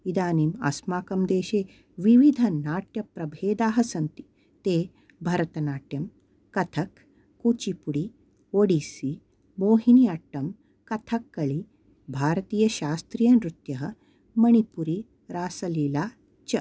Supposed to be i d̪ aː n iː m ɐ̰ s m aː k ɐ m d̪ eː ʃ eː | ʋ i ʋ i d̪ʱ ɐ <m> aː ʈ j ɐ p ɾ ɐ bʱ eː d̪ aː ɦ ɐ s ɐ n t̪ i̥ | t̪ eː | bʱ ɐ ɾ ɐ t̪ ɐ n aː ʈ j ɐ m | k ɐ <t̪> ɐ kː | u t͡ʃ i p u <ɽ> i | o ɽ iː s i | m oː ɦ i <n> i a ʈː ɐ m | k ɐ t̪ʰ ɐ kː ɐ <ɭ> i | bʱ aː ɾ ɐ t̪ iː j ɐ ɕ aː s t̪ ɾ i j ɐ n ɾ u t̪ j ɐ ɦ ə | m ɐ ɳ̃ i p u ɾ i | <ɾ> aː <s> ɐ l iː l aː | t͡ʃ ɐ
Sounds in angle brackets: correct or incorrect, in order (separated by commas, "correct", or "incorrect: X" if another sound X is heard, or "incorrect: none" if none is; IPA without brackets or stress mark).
incorrect: n, incorrect: t̪ʰ, correct, correct, correct, correct, correct